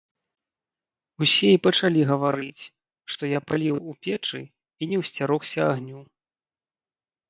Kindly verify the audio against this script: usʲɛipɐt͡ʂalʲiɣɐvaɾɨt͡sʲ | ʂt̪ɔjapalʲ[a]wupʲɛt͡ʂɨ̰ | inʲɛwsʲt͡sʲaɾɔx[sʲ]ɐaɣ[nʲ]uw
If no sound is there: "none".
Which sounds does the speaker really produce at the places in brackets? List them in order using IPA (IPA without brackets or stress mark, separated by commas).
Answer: i, sʲ, nʲ